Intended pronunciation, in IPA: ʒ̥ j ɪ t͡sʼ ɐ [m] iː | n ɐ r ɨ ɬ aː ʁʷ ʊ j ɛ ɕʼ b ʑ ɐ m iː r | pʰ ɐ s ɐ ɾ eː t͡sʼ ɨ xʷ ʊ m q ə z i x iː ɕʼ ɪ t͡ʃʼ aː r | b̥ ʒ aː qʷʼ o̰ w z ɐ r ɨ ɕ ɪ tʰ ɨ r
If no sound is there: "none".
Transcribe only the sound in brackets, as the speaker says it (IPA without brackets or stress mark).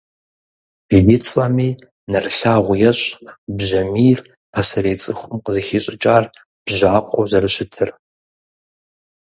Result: m